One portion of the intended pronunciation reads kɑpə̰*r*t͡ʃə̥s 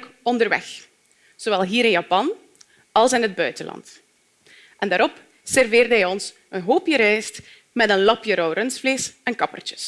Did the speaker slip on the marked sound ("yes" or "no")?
no